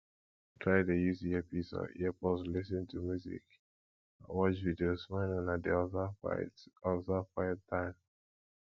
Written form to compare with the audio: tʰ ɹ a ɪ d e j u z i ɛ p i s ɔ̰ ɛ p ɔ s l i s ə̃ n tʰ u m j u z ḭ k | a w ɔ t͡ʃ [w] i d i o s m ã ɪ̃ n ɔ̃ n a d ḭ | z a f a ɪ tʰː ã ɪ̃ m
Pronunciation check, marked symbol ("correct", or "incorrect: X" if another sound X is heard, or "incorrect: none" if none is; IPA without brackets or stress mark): incorrect: v